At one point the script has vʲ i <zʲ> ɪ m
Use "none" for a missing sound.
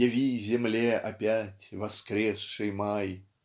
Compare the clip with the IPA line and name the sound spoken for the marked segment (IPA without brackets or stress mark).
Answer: zʲ